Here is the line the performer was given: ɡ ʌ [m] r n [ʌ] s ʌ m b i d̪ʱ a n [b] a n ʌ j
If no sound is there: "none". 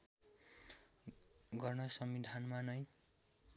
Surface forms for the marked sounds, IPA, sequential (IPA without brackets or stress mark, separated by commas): none, ʌ, m